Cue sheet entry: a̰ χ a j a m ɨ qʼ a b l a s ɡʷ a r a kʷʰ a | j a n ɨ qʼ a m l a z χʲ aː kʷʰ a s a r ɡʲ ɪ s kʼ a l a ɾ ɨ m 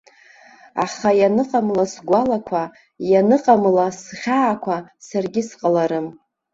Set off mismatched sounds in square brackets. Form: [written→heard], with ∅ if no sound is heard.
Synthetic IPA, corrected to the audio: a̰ χ a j a [m→n] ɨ qʼ a [b→m] l a s ɡʷ a [r→l] a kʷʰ a | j a n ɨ qʼ a m l a [z→s] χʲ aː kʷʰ a s a r ɡʲ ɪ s [kʼ→qʼ] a l a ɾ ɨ m